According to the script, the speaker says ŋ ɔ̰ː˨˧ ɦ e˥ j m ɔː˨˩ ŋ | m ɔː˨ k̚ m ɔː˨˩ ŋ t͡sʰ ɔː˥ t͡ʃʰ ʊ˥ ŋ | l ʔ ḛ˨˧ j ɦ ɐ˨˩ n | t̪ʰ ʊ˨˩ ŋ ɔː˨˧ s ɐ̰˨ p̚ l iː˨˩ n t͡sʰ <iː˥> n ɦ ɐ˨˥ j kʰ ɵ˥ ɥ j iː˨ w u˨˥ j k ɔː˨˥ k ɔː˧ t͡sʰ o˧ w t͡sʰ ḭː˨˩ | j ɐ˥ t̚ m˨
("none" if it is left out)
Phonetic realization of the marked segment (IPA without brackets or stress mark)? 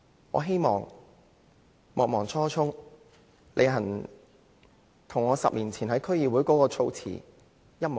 iː˨˩